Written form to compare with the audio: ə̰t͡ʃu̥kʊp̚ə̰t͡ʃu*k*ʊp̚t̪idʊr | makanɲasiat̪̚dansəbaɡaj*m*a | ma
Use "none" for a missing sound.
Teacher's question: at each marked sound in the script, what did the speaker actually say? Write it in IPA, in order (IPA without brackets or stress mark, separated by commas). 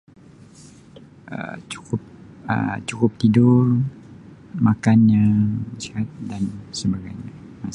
k, ɲ